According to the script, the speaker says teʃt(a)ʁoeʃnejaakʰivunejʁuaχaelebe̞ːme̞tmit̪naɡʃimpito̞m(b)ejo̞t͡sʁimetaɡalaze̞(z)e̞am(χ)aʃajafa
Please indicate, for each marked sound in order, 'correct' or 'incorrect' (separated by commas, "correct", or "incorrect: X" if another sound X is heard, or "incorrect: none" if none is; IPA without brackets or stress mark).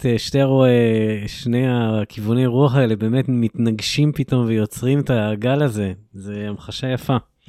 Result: incorrect: e, incorrect: v, correct, correct